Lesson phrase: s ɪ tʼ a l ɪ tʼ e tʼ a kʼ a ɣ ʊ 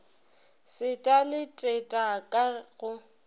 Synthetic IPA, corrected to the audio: s ɪ tʼ a l ɪ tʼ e tʼ a kʼ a ɣ ʊ